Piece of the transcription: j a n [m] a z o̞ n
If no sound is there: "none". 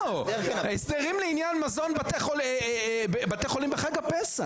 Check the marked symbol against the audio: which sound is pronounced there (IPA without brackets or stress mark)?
m